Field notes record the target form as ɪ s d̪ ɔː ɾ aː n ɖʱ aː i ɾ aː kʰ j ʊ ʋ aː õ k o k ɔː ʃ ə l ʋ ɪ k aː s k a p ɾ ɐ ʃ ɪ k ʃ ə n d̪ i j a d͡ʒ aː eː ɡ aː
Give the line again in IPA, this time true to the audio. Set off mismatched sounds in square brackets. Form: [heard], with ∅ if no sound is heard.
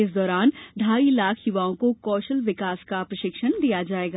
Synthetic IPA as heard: ɪ s d̪ ɔː ɾ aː n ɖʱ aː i [l] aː kʰ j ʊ ʋ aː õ k o k ɔː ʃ ə l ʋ ɪ k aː s k a p ɾ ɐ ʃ ɪ k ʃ ə n d̪ i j a d͡ʒ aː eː ɡ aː